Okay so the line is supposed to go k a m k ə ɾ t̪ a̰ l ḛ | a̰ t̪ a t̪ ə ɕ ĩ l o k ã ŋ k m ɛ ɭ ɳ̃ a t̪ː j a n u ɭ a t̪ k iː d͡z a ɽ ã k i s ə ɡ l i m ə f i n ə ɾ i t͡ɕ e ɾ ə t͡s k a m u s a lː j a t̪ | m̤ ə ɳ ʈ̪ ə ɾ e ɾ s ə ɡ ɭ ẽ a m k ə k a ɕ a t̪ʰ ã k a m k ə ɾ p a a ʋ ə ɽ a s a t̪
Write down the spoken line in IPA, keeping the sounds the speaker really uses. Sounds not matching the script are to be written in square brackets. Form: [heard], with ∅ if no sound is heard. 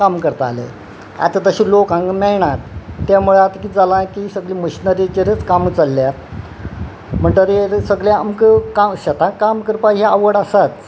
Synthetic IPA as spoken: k a m k ə ɾ t̪ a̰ l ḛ | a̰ t̪ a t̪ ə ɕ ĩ l o k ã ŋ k m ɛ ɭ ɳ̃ a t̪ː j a [m] u ɭ a t̪ k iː d͡z a [l] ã k i s ə ɡ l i m ə [ɕ] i n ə ɾ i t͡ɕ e ɾ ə t͡s k a m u [t͡s] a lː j a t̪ | m̤ ə ɳ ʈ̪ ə ɾ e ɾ s ə ɡ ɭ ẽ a m k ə k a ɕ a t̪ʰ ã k a m k ə ɾ p a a ʋ ə ɽ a s a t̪